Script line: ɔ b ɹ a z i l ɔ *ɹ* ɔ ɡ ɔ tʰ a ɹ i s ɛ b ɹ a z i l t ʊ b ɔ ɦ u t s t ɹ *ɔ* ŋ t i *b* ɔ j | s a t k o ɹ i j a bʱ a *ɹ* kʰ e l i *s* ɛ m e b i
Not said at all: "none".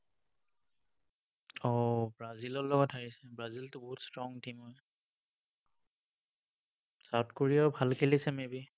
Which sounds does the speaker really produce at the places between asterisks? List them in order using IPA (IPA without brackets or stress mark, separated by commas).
l, ɔ, m, l, s